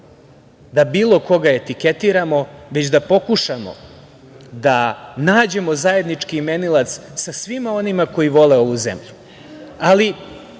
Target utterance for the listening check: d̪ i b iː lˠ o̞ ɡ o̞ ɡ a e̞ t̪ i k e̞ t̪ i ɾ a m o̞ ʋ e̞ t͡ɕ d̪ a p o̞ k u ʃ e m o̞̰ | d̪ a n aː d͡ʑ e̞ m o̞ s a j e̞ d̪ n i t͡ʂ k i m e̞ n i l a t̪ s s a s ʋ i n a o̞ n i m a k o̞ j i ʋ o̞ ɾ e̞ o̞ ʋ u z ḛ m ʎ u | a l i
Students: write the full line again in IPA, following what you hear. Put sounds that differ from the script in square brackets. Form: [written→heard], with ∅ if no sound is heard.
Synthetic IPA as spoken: d̪ [i→a] b iː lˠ o̞ [ɡ→k] o̞ ɡ a e̞ t̪ i k e̞ t̪ i ɾ a m o̞ ʋ e̞ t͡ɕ d̪ a p o̞ k u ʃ [e→a] m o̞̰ | d̪ a n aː d͡ʑ e̞ m o̞ [s→z] a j e̞ d̪ n i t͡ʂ k i m e̞ n i l a t̪ s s a s ʋ i [n→m] a o̞ n i m a k o̞ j i ʋ o̞ [ɾ→l] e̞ o̞ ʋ u z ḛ m ʎ u | a l i

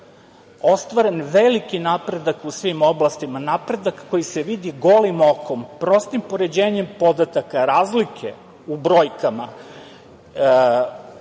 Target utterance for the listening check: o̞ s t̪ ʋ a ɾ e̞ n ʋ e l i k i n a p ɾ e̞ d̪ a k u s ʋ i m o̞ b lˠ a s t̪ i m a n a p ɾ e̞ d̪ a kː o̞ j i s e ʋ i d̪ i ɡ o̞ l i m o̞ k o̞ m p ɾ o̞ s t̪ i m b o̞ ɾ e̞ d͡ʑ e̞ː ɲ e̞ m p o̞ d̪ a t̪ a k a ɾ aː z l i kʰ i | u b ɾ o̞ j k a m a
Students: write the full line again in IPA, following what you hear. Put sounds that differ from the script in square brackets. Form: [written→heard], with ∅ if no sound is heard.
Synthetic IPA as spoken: o̞ s t̪ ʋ a ɾ e̞ n ʋ e l i k i n a p ɾ e̞ d̪ a k u s ʋ i m o̞ b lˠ a s t̪ i m a n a p ɾ e̞ d̪ a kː o̞ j i s e ʋ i d̪ i ɡ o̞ l i m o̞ k o̞ m p ɾ o̞ s t̪ i m [b→p] o̞ ɾ e̞ d͡ʑ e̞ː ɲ e̞ m p o̞ d̪ a t̪ a k a ɾ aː z l i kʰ [i→e] | u b ɾ o̞ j k a m a

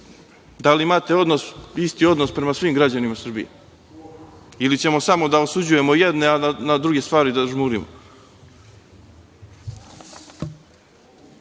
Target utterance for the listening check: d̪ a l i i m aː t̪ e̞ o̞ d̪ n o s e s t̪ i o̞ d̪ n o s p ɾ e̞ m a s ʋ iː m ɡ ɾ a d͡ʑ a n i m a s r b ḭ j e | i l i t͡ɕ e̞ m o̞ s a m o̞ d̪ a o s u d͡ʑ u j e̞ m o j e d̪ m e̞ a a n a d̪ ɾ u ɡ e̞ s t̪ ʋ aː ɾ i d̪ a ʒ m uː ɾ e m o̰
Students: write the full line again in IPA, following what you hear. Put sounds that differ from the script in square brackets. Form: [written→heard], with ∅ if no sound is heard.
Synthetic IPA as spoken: d̪ a l i i m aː t̪ e̞ o̞ d̪ n o s [e→i] s t̪ i o̞ d̪ n o s p ɾ e̞ m a s ʋ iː m ɡ ɾ a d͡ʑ a n i m a s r b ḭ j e | i l i t͡ɕ e̞ m o̞ s a m o̞ d̪ a o s u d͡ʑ u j e̞ m o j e d̪ [m→n] e̞ a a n a d̪ ɾ u ɡ e̞ s t̪ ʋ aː ɾ i d̪ a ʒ m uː ɾ [e→i] m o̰

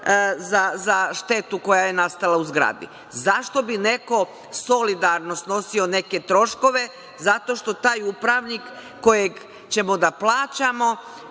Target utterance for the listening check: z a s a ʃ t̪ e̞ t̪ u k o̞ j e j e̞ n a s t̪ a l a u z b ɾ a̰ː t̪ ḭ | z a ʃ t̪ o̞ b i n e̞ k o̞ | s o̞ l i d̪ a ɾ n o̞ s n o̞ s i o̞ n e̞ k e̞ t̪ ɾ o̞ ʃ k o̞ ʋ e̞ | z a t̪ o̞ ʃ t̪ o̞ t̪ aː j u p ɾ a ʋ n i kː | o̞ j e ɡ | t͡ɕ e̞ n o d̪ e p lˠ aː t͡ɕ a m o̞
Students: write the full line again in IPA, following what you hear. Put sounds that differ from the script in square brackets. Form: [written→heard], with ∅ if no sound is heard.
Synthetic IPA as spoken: z a [s→z] a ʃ t̪ e̞ t̪ u k o̞ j [e→a] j e̞ n a s t̪ a l a u z [b→ɡ] ɾ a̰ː [t̪→d̪] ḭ | z a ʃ t̪ o̞ b i n e̞ k o̞ | s o̞ l i d̪ a ɾ n o̞ s n o̞ s i o̞ n e̞ k e̞ t̪ ɾ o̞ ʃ k o̞ ʋ e̞ | z a t̪ o̞ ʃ t̪ o̞ t̪ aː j u p ɾ a ʋ n i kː | o̞ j e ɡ | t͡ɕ e̞ [n→m] o d̪ [e→a] p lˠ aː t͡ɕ a m o̞

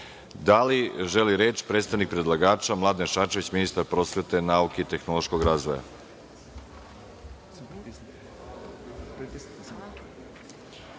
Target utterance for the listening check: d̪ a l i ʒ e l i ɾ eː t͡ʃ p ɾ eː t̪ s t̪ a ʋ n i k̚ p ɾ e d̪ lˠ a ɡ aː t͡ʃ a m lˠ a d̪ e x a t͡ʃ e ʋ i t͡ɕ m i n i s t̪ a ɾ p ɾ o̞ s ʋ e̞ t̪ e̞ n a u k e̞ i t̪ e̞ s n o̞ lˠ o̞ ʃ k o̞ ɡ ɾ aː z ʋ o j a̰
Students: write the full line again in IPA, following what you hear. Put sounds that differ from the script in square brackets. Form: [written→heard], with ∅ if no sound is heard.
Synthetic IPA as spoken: d̪ a l i ʒ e l i ɾ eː t͡ʃ p ɾ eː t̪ s t̪ a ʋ n i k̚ p ɾ e d̪ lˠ a ɡ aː t͡ʃ a m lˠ a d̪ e [x→ʃ] a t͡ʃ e ʋ i t͡ɕ m i n i s t̪ a ɾ p ɾ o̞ s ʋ e̞ t̪ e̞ n a u k e̞ i t̪ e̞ [s→x] n o̞ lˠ o̞ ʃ k o̞ ɡ ɾ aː z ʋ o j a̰

